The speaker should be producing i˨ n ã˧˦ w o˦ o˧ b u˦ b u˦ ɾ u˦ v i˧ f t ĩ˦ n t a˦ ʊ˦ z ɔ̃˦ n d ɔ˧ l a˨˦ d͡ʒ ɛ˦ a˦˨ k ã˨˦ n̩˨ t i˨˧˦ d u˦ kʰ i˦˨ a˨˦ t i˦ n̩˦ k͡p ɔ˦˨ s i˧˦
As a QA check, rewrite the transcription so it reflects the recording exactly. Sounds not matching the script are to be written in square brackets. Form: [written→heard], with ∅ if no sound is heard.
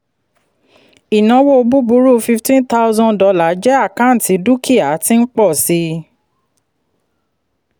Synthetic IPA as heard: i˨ n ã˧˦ w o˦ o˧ b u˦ b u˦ ɾ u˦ [v→f] i˧ f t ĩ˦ n t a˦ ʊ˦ z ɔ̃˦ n d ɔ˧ l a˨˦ d͡ʒ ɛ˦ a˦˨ k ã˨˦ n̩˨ t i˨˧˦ d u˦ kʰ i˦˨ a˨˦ t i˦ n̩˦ k͡p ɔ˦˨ s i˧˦